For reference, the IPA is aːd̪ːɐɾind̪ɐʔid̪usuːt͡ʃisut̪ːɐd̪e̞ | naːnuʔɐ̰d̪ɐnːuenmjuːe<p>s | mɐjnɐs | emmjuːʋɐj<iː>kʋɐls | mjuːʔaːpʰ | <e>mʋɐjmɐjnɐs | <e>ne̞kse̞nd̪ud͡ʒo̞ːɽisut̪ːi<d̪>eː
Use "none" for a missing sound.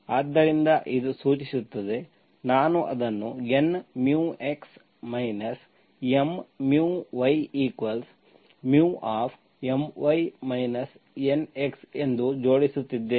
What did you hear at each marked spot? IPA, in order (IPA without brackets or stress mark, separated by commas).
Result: k, iː, e, e, d̪ː